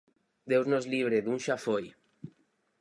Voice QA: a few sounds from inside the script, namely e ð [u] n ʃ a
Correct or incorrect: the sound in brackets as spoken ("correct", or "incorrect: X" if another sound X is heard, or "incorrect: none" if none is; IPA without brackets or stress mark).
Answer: correct